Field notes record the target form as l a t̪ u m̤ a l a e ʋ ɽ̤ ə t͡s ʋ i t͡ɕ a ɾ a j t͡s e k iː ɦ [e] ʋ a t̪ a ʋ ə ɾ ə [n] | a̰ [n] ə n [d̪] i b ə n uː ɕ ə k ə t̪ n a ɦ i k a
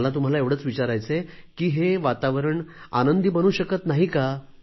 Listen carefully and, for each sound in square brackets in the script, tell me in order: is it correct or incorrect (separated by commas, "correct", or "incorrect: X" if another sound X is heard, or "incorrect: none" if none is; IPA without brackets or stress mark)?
correct, incorrect: ɳ, correct, correct